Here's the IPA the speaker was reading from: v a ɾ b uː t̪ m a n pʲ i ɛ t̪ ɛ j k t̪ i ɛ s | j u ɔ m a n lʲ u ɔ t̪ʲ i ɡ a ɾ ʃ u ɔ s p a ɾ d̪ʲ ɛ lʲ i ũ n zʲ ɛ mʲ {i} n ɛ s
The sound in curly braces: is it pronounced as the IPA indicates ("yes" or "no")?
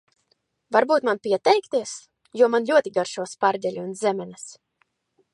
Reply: no